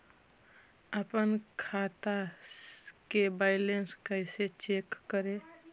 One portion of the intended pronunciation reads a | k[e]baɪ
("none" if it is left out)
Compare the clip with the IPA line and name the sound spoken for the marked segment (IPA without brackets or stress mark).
e